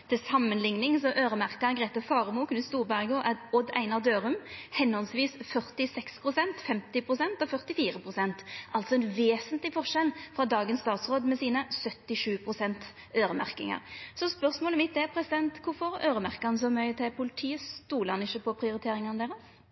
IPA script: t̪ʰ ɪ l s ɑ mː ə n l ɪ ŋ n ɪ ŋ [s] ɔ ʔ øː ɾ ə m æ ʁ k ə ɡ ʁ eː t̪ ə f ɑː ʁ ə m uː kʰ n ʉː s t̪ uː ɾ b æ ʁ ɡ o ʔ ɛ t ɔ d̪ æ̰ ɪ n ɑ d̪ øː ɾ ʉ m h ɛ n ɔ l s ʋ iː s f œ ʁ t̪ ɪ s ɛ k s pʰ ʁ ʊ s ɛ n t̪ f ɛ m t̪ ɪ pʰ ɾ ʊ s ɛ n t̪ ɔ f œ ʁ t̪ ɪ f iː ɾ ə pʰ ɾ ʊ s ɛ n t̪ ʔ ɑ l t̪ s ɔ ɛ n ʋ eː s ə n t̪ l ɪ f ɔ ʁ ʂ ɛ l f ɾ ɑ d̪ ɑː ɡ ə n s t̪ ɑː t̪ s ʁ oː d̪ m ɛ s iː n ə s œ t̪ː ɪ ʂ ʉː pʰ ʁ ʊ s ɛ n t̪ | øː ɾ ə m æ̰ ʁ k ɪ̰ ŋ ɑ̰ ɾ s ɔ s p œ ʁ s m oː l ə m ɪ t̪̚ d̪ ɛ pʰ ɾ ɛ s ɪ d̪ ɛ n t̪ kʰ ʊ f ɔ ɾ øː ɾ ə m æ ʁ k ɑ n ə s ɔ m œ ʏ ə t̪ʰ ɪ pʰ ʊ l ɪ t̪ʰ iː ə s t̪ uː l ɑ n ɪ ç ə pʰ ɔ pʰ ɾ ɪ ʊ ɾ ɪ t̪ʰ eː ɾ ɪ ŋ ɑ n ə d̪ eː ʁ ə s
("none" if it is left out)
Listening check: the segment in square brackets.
s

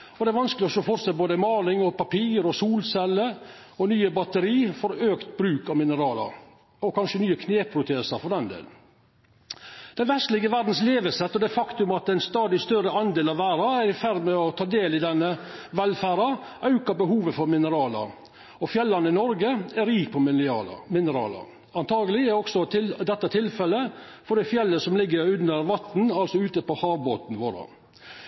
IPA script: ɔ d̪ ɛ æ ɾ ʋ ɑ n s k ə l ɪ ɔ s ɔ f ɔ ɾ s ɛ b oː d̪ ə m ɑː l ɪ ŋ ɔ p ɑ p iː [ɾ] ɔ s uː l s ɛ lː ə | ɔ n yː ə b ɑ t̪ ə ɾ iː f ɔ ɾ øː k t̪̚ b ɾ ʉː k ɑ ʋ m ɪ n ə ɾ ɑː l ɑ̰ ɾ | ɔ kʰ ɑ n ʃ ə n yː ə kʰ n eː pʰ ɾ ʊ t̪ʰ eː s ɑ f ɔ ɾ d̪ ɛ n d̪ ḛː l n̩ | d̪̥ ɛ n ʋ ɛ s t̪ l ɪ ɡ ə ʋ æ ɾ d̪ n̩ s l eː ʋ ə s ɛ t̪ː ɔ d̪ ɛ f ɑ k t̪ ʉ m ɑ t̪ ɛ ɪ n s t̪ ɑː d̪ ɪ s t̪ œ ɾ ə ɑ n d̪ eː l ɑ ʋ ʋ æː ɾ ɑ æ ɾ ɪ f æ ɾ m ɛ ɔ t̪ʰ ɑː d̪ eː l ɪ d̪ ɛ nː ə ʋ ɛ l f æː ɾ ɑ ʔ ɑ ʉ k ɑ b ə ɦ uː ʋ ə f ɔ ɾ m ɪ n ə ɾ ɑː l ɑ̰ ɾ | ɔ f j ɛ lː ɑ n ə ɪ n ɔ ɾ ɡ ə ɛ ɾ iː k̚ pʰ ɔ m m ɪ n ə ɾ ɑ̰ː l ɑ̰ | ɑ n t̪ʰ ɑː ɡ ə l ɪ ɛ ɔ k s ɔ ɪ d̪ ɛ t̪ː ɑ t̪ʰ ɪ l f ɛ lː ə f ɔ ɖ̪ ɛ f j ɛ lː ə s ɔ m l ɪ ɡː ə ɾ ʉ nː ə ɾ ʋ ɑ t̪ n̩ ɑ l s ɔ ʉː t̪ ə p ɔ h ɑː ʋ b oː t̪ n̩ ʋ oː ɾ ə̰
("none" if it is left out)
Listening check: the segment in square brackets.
ɾ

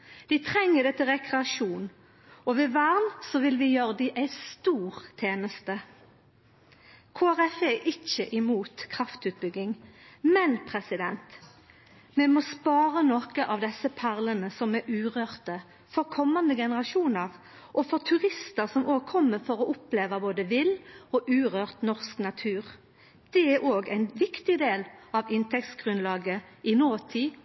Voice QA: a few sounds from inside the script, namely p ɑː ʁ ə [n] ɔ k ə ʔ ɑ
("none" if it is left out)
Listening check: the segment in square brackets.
n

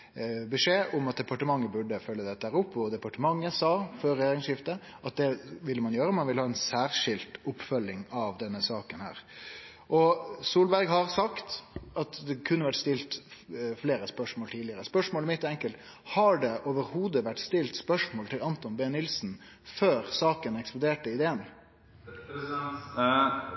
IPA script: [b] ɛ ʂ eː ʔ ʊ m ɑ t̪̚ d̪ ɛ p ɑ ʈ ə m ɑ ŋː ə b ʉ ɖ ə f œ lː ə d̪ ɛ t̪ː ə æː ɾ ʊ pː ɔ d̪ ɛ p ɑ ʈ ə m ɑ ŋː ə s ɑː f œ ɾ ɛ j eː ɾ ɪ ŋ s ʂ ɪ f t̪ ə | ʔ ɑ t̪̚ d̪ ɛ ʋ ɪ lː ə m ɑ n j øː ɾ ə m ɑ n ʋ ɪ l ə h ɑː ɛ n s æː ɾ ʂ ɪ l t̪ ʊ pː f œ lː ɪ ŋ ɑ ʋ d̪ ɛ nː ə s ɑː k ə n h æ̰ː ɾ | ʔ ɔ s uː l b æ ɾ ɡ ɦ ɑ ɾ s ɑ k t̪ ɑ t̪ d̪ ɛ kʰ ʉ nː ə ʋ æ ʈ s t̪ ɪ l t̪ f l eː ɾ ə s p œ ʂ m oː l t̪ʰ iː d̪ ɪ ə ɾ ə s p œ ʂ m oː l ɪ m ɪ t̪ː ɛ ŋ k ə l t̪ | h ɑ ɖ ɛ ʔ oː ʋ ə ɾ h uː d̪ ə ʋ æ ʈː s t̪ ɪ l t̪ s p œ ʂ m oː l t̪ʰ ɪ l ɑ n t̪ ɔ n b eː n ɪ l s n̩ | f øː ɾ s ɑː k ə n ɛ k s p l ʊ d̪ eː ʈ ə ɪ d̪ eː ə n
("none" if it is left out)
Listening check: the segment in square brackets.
b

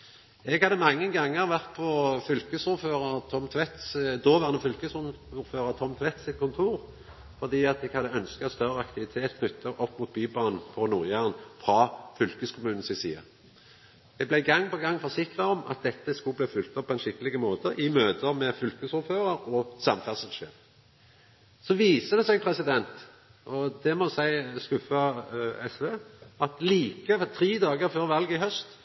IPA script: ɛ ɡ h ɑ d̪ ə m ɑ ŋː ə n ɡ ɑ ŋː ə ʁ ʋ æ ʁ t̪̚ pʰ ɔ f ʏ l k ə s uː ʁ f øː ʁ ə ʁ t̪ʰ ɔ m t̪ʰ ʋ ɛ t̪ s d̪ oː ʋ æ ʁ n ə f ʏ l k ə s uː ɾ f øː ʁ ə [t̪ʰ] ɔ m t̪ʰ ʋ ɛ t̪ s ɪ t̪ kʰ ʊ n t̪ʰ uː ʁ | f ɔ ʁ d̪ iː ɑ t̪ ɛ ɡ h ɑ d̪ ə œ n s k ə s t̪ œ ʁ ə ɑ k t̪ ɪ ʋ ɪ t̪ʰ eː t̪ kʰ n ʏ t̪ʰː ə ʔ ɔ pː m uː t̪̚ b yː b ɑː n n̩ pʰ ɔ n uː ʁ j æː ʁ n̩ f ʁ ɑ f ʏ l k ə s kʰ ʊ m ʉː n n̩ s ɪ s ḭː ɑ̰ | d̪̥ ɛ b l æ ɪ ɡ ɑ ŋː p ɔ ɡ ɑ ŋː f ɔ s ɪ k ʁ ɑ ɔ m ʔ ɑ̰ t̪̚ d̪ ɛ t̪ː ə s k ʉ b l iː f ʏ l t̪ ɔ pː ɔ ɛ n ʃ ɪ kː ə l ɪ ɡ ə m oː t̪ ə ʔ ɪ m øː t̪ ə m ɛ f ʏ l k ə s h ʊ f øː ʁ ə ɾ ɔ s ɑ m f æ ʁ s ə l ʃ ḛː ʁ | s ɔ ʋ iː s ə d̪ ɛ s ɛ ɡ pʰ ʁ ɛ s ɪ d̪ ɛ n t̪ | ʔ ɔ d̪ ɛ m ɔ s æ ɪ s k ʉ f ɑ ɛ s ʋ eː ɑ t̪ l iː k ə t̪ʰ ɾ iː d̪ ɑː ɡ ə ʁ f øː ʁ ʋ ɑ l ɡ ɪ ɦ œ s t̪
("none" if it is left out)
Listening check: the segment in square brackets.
t̪ʰ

